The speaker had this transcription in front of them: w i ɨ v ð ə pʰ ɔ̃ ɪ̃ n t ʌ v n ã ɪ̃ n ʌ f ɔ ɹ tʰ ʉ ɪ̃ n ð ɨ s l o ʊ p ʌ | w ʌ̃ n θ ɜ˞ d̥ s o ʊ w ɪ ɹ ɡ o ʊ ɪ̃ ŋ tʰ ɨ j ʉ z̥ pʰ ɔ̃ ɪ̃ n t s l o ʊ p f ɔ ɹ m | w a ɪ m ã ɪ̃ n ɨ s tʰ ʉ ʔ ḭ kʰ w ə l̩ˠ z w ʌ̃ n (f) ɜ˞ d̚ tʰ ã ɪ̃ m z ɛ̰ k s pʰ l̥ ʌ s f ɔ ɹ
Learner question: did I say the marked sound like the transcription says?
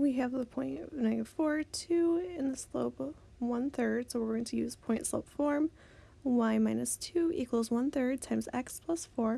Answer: no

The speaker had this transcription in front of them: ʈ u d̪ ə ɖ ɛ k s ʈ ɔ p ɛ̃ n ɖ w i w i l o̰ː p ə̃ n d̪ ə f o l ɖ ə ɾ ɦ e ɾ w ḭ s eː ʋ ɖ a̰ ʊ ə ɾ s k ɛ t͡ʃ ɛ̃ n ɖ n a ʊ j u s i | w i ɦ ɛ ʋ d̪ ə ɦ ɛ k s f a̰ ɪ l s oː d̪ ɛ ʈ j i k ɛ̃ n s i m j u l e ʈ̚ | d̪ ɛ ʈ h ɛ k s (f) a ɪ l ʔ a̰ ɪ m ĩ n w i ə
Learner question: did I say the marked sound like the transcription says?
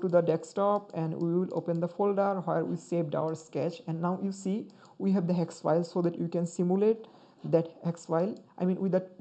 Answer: yes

